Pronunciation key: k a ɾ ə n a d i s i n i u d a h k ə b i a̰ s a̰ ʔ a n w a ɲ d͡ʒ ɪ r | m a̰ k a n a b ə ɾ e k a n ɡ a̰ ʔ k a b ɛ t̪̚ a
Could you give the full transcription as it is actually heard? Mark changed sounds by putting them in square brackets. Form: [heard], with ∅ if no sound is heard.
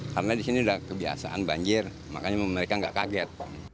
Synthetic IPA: k a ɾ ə n a d i s i n i u d a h k ə b i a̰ s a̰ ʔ a n [b] a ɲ d͡ʒ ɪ r | m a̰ k a [ɲ] a [m] ə ɾ e k a [ŋ] ɡ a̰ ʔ k a [ɡ] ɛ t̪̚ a